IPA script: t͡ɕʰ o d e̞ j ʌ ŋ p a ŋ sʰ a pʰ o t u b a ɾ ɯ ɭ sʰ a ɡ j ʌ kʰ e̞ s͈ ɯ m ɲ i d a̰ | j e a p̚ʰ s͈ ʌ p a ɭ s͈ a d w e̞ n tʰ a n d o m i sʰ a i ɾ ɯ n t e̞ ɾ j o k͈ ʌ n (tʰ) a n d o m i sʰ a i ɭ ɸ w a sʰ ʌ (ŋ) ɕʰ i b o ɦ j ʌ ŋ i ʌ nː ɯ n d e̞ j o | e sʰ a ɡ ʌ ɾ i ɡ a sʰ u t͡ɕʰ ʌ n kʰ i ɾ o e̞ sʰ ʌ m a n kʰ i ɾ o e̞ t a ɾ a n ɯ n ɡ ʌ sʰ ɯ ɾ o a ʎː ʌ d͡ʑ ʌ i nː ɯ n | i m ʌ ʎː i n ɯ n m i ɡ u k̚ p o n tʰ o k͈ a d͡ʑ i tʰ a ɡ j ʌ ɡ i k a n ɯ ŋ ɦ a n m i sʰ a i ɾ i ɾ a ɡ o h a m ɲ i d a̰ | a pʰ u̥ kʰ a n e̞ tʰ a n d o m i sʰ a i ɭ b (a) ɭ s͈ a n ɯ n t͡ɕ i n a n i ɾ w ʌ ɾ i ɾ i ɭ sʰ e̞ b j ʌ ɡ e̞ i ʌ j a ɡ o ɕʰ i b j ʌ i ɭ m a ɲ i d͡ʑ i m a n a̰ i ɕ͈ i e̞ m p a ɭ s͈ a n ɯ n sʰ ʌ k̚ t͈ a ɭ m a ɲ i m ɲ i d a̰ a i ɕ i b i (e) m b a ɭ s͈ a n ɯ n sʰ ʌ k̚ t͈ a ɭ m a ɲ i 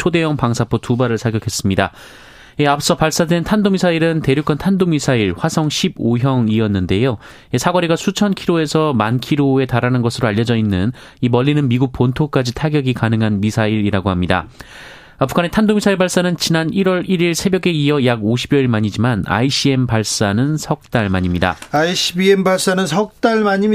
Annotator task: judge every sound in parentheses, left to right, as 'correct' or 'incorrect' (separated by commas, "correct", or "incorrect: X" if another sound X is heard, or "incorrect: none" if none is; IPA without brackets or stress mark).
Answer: correct, correct, correct, correct